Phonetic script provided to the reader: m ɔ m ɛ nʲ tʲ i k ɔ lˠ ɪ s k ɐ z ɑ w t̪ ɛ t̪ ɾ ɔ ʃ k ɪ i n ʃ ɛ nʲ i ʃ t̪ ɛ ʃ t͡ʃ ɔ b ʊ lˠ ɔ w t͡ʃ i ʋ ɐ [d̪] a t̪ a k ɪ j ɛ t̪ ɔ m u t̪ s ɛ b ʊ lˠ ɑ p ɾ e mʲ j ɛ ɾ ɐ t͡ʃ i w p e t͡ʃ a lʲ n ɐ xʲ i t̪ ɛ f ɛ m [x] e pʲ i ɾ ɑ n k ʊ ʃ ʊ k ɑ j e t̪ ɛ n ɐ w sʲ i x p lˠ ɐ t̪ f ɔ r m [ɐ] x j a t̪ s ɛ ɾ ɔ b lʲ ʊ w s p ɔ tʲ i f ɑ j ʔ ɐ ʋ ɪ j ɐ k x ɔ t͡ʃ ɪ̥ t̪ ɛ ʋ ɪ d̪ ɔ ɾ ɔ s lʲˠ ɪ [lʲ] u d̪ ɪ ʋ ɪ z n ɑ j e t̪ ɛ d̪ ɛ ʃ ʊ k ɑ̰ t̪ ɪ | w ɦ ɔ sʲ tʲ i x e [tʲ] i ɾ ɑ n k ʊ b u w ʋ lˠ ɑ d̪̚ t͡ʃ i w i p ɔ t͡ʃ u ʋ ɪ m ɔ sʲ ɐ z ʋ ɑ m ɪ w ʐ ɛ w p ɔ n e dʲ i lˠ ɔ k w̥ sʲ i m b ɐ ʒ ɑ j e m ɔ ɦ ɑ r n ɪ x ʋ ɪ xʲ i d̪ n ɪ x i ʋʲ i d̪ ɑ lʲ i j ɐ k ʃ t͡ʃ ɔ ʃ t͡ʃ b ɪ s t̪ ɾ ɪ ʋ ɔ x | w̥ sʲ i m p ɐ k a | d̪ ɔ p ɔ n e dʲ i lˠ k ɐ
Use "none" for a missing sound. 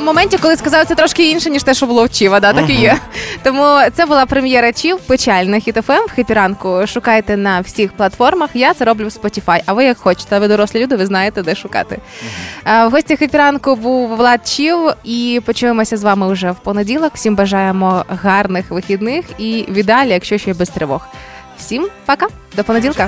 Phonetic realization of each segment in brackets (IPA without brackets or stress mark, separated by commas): d̪, x, ɐ, lʲ, pʲ